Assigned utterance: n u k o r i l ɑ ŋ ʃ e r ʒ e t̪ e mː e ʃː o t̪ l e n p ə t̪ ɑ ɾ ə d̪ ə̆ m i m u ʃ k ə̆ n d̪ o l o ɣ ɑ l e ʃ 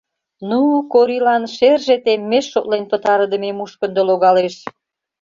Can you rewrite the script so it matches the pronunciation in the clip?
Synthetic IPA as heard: n u k o ɾ i l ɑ n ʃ e r ʒ e t̪ e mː e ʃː o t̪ l e n p ə t̪ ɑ ɾ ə d̪ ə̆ m e m u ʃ k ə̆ n d̪ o l o ɣ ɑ l e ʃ

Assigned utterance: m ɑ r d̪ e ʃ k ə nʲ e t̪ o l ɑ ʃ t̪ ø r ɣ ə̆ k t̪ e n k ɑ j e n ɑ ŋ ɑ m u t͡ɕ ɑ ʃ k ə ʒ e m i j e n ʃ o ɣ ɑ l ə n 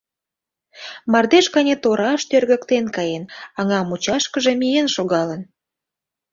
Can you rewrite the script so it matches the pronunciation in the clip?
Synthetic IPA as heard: m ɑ r d̪ e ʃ k ɑ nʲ e t̪ o ɾ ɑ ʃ t̪ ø r ɣ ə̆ k t̪ e n k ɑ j e n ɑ ŋ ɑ m u t͡ɕ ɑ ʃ k ə ʒ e m i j e n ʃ o ɣ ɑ l ə n

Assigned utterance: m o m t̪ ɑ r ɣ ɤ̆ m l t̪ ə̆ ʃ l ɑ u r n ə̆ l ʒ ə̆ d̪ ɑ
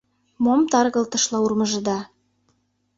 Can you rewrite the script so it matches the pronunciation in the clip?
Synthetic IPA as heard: m o m t̪ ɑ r ɣ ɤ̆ l t̪ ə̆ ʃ l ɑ u r m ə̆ ʒ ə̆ d̪ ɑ

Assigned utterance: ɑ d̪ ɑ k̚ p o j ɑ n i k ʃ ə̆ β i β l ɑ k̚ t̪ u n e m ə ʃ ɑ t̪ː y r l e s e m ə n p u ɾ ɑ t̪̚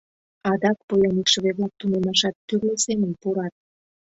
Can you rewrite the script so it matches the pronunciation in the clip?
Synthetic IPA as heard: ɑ d̪ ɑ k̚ p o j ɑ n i k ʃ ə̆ β e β l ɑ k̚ t̪ u n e m ɑ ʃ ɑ t̪ː y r l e s e m ə n p u ɾ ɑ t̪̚

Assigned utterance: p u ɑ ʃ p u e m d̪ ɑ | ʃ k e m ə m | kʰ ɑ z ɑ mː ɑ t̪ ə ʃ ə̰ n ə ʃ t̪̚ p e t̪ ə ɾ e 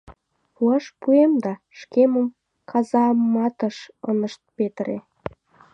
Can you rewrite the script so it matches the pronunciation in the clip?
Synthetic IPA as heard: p u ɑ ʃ p u e m d̪ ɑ | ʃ k e m ə m | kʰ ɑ z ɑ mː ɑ t̪ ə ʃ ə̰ n ə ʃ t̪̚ p e t̪ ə ɾ e

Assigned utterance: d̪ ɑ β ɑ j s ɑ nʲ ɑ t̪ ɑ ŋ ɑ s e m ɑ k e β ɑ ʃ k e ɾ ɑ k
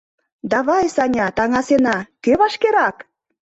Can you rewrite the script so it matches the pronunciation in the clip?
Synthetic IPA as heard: d̪ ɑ β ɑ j s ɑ nʲ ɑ t̪ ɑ ŋ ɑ s e n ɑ k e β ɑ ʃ k e ɾ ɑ k

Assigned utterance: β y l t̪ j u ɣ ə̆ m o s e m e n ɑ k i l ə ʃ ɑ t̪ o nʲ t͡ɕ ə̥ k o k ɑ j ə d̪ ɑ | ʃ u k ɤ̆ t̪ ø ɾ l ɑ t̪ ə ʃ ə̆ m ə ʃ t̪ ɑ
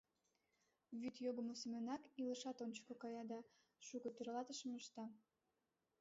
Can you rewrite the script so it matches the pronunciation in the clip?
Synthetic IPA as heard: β y t̪ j o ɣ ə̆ m o s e m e n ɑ k i l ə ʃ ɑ t̪ o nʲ t͡ɕ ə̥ k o k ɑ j ɑ d̪ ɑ | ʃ u k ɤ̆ t̪ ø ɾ l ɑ t̪ ə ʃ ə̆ m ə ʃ t̪ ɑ

